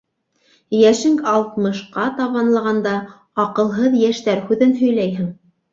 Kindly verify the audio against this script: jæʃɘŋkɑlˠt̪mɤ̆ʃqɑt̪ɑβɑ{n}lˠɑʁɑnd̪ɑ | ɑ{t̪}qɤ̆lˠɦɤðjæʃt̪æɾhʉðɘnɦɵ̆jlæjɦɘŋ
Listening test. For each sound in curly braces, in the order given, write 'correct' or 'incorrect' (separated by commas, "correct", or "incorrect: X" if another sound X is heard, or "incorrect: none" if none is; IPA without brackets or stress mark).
correct, incorrect: none